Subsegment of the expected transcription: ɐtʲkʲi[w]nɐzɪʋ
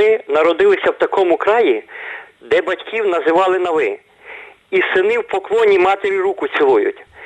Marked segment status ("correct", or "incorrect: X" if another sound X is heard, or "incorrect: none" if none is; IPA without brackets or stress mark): correct